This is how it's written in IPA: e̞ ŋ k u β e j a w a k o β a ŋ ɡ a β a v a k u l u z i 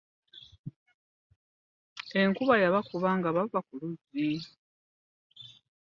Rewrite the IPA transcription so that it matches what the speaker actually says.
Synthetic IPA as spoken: e̞ ŋ k u β a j a β a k u β a ŋ ɡ a β a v a k u l u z i